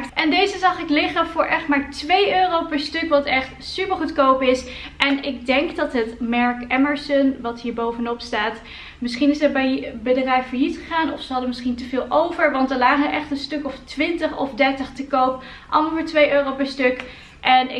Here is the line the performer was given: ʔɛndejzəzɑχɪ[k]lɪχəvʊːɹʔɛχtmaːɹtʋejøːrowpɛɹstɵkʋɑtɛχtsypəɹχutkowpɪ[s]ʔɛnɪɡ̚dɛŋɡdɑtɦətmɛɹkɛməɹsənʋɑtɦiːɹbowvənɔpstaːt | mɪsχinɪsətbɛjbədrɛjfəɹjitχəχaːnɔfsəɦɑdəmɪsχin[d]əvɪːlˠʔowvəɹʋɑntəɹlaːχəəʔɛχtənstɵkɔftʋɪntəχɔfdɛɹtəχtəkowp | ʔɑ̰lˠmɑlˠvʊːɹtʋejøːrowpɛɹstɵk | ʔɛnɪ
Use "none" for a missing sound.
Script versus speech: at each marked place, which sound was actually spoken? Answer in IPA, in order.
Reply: k, s, t

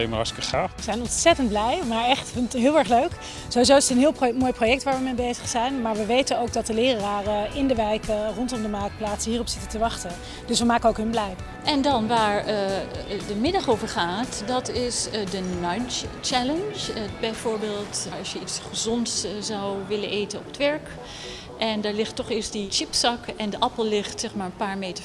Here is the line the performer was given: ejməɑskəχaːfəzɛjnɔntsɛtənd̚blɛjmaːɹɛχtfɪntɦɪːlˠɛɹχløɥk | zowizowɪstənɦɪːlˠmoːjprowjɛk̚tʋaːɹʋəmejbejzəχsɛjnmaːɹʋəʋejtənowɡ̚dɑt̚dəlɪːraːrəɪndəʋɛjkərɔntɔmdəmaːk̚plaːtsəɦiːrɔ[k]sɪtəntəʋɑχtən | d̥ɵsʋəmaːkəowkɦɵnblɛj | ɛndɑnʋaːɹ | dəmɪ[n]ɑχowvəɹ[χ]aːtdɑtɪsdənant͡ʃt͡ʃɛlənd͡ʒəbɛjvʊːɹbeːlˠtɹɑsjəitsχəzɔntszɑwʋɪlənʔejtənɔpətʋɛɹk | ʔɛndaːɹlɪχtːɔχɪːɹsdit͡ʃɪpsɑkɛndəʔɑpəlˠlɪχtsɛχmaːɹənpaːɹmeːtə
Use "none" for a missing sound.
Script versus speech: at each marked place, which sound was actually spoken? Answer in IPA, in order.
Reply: p, d, χ

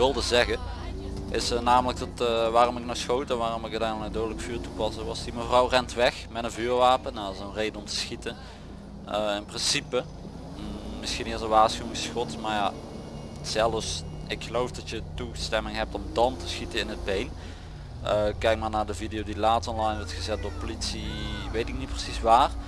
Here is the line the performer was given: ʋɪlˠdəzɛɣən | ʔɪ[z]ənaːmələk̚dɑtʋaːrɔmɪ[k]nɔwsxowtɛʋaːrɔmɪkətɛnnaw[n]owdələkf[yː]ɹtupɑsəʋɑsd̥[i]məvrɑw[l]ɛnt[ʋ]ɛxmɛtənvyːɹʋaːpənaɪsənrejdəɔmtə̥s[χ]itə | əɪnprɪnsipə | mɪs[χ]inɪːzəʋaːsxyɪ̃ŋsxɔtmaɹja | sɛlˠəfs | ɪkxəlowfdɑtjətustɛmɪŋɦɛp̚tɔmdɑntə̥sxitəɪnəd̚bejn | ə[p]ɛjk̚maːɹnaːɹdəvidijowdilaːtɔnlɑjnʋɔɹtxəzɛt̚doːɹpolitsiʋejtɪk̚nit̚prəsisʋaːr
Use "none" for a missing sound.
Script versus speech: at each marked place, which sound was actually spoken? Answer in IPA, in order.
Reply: s, k, d, yː, i, r, ʋ, x, x, k

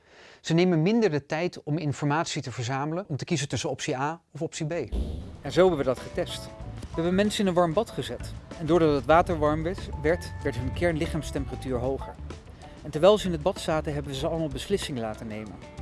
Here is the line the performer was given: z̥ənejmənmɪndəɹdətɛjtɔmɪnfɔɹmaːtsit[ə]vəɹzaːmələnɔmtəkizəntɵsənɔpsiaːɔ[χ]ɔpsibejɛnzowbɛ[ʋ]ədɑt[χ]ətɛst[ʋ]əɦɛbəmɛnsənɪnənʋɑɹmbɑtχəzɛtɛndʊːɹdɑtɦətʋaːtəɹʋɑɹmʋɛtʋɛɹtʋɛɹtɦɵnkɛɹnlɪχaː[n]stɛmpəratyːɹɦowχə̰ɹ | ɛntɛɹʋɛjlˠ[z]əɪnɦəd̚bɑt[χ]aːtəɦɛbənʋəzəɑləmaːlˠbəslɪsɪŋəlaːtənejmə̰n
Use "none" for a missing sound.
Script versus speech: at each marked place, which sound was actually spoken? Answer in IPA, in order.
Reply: ə, f, ʋ, χ, ʋ, m, z, s

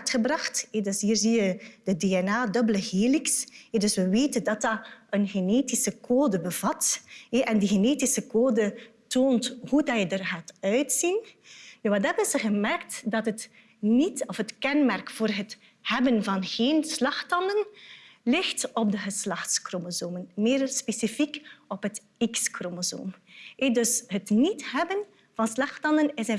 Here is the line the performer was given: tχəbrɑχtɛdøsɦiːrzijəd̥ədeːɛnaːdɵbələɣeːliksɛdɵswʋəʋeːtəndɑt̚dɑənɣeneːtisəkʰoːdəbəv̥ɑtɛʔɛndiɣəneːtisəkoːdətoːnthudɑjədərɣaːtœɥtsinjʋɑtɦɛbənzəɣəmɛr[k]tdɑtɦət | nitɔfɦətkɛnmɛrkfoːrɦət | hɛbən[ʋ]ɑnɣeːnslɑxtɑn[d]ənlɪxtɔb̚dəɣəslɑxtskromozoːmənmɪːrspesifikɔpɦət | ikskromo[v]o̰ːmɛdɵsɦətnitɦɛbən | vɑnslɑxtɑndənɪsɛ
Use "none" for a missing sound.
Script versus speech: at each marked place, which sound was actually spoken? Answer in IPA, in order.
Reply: k, v, d, z

